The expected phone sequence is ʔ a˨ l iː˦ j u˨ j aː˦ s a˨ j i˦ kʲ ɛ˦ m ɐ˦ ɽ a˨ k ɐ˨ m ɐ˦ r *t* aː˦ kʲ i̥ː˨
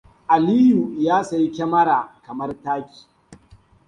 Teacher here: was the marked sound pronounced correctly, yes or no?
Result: yes